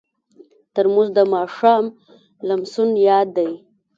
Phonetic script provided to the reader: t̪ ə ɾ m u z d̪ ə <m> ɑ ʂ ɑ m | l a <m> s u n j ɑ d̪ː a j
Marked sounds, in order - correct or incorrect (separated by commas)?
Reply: correct, correct